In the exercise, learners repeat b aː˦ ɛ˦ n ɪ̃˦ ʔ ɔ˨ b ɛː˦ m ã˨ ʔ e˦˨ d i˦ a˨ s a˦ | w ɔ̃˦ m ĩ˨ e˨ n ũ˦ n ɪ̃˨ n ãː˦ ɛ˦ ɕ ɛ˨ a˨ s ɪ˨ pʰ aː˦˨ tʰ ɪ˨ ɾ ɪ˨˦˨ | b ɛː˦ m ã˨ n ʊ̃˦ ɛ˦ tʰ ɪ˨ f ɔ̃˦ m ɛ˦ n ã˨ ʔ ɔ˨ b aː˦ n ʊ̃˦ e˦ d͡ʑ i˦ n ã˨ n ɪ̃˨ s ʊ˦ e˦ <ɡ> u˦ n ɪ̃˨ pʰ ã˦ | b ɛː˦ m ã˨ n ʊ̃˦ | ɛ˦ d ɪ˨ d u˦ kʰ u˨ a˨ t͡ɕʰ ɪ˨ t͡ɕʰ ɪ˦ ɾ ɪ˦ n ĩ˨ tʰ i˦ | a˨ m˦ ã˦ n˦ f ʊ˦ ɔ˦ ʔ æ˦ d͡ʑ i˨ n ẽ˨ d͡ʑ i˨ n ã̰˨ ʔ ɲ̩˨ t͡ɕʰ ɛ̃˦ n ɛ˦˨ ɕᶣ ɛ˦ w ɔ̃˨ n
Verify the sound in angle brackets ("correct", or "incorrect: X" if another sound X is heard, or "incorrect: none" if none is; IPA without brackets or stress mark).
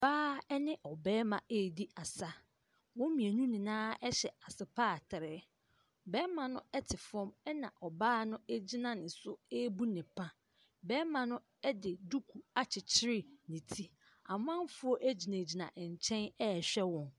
incorrect: b